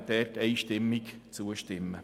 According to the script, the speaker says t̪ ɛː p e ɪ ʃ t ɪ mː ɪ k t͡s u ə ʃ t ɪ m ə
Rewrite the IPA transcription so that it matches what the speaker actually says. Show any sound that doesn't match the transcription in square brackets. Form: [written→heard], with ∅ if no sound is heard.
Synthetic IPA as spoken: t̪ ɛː [p→t] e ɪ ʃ t ɪ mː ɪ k t͡s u ə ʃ t ɪ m ə

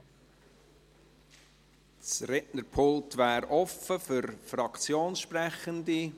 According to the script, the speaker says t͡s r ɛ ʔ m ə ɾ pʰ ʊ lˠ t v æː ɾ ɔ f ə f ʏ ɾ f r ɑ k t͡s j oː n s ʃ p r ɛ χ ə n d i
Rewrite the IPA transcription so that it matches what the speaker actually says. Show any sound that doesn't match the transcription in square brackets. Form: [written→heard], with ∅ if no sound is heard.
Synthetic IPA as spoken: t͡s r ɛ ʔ [m→n] ə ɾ pʰ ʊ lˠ t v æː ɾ ɔ f ə f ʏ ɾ f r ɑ k t͡s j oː n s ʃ p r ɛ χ ə n d i

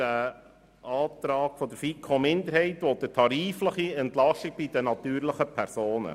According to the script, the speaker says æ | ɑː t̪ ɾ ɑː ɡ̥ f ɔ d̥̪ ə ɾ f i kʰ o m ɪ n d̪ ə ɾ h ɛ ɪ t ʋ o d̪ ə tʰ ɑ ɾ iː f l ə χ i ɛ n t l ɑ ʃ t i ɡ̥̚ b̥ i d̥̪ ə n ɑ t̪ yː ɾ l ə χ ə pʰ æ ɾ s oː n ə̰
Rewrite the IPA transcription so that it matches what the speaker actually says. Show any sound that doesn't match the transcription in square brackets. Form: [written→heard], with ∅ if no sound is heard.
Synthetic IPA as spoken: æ | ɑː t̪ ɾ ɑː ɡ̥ f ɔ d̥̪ ə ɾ f i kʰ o m ɪ n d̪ ə ɾ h ɛ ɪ t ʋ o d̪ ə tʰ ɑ ɾ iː f l ə χ i ɛ n t l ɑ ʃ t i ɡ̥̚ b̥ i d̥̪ ə n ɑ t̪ yː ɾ l ə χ ə pʰ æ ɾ s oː n ə̰

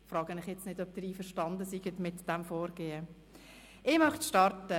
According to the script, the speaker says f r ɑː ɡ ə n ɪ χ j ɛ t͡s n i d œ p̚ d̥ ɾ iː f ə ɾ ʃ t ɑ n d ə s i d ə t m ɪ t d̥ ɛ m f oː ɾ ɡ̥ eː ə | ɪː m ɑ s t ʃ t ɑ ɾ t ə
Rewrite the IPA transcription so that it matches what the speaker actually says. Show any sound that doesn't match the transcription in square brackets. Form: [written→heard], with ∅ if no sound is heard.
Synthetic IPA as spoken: f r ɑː ɡ ə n ɪ χ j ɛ t͡s n [i→ɪ] d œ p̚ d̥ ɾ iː f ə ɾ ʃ t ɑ n d ə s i [d→ɡ] ə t m ɪ t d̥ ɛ m f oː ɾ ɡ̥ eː ə | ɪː m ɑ [s→χ] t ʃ t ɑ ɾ t ə

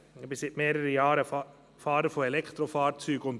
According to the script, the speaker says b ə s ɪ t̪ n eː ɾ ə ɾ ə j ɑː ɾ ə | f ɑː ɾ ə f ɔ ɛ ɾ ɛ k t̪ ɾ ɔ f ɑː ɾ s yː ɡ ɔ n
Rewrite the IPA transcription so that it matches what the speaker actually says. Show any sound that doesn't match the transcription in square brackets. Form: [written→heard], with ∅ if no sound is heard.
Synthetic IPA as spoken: b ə s ɪ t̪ [n→m] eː ɾ ə ɾ ə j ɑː ɾ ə | f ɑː ɾ ə f ɔ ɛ [ɾ→l] ɛ k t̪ ɾ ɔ f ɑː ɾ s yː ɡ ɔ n

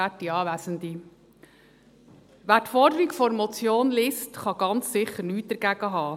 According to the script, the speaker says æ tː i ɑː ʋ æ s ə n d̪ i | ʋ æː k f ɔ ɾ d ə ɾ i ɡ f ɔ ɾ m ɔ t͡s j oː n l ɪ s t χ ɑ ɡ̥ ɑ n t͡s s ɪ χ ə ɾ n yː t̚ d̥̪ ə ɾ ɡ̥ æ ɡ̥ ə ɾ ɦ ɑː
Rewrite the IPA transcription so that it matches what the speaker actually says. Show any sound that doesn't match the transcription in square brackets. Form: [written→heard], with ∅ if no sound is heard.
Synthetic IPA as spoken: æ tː i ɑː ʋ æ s ə n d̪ i | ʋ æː [k→t] f ɔ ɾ d ə ɾ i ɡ f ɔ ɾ m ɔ t͡s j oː n l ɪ s t χ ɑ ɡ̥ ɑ n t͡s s ɪ χ ə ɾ n yː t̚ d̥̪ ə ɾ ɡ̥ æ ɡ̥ ə [ɾ→∅] ɦ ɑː

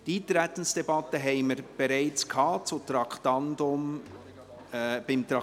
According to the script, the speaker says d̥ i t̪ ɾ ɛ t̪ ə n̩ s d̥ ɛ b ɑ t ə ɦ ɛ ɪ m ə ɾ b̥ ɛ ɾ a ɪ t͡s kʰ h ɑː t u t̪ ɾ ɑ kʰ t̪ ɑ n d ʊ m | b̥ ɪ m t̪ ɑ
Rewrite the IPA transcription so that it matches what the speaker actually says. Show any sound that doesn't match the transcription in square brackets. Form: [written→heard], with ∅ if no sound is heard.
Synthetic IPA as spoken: d̥ i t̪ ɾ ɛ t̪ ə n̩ s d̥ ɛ b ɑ t ə ɦ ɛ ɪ m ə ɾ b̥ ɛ ɾ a ɪ t͡s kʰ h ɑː [t→t͡s] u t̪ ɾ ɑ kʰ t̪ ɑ n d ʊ m | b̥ ɪ m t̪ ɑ

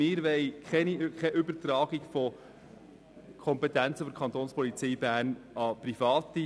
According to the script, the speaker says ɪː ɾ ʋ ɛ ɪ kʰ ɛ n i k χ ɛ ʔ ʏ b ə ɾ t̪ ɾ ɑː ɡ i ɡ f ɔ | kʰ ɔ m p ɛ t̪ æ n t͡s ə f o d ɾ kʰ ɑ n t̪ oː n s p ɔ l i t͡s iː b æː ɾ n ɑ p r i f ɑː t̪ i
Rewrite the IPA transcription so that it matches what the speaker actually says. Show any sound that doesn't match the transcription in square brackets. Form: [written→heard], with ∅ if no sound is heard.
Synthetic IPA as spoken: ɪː ɾ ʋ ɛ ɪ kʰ ɛ n i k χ ɛ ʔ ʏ b ə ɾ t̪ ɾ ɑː ɡ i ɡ f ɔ | kʰ ɔ m p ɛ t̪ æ n t͡s ə f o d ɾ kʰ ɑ n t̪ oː n s p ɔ l i t͡s iː b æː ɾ n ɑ p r i f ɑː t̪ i

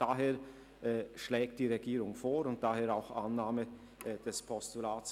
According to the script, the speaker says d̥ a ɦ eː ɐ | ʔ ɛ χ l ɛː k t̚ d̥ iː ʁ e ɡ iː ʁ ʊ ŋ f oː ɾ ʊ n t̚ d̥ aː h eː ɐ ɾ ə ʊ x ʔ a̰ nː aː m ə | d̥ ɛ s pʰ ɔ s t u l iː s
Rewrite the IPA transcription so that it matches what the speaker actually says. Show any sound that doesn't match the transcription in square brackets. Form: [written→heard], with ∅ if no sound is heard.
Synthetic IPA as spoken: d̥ a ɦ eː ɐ | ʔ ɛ [χ→ʃ] l ɛː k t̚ d̥ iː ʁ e ɡ iː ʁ ʊ ŋ f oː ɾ ʊ n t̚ d̥ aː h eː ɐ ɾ [ə→a] ʊ x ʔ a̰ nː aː m ə | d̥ ɛ s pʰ ɔ s t u l [iː→aː] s

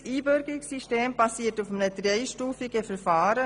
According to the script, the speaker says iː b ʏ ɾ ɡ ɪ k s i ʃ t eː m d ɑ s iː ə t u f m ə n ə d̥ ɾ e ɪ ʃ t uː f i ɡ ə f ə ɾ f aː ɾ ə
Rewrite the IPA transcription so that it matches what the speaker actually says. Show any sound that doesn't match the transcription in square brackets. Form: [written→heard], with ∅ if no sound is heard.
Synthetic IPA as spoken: iː b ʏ ɾ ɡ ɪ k s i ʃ t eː m [d→b] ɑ s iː ə t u f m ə n ə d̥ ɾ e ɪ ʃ t uː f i ɡ ə f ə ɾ f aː ɾ ə

